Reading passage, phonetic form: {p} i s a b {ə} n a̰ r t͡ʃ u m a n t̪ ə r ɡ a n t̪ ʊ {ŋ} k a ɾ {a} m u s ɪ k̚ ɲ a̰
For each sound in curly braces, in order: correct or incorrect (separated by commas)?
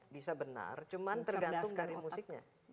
incorrect, correct, correct, incorrect